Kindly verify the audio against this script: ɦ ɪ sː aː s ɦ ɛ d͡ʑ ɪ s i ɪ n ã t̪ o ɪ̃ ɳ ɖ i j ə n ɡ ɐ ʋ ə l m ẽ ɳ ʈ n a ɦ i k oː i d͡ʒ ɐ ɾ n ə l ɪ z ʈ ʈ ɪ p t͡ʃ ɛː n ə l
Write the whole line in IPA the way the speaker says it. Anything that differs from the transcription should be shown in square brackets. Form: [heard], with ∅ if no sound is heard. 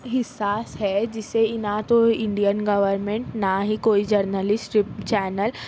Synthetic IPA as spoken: ɦ ɪ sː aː s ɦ ɛ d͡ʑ ɪ s [e] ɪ n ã t̪ o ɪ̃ ɳ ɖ i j ə n ɡ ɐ ʋ ə [ɾ] m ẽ ɳ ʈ n a ɦ i k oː i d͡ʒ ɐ ɾ n ə l ɪ [s] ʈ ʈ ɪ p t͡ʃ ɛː n ə l